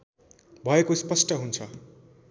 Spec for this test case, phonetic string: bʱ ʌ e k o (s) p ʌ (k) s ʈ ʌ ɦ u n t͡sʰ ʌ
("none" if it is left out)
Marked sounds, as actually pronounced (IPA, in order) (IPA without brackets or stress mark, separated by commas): s, none